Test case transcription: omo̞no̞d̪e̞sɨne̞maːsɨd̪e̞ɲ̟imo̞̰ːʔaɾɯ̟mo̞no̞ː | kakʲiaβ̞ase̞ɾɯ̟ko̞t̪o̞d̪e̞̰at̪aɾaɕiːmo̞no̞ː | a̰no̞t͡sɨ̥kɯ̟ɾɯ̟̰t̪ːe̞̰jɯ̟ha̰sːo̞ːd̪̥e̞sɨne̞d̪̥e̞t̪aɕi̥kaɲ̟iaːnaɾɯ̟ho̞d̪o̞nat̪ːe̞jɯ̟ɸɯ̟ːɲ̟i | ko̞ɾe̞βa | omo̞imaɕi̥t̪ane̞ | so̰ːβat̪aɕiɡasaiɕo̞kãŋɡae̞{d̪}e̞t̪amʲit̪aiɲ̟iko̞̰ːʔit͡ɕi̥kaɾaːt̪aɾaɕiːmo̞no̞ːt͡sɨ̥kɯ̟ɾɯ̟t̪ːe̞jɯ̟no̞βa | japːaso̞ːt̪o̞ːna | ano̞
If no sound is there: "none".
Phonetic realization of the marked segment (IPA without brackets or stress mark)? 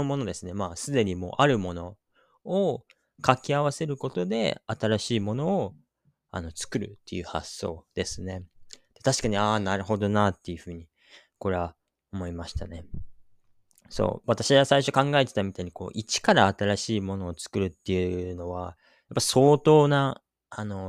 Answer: t̪